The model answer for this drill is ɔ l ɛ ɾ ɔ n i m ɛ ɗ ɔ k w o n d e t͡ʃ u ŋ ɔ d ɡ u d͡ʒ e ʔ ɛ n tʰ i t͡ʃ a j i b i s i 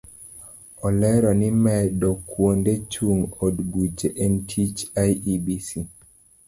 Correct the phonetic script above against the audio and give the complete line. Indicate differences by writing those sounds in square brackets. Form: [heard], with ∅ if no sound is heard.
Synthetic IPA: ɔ l ɛ ɾ ɔ n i m ɛ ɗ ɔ k w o n d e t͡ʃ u ŋ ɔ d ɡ u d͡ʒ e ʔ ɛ n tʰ i t͡ʃ a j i b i s i